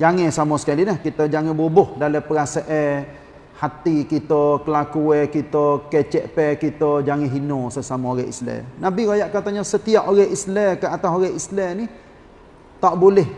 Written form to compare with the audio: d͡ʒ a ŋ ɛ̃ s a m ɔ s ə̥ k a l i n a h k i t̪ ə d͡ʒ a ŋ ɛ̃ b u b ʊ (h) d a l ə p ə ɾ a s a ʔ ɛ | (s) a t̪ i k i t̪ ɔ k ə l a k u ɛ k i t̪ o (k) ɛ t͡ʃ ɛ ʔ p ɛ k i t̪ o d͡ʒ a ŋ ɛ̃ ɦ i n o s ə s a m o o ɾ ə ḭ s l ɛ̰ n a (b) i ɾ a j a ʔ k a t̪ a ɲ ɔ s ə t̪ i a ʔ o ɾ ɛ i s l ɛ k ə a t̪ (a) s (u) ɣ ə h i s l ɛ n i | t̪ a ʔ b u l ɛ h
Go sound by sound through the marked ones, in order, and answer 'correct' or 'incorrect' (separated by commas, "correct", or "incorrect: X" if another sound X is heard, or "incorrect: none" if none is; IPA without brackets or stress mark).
correct, incorrect: h, correct, correct, correct, incorrect: o